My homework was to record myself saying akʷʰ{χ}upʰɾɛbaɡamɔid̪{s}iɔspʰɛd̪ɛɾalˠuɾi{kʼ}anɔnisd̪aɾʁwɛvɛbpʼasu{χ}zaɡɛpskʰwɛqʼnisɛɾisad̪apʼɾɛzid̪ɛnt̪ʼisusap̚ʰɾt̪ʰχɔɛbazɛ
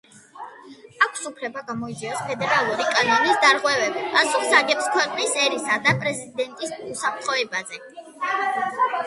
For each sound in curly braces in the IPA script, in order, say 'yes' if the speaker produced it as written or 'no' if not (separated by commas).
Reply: no, no, yes, yes